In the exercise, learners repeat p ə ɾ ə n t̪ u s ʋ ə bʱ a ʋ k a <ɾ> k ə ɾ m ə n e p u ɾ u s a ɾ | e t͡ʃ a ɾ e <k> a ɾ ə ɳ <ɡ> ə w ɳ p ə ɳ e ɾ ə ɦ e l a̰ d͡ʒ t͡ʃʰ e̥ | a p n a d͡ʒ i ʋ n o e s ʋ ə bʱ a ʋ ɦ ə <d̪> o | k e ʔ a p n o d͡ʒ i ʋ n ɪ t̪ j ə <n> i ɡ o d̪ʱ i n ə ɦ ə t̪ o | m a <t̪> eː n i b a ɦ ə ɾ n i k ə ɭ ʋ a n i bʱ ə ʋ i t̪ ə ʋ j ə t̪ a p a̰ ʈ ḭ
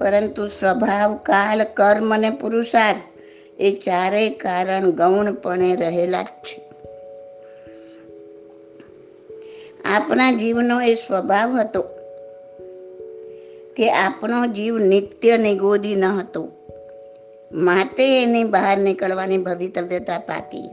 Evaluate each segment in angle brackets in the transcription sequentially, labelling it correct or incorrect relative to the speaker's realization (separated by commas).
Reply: incorrect, correct, correct, incorrect, correct, correct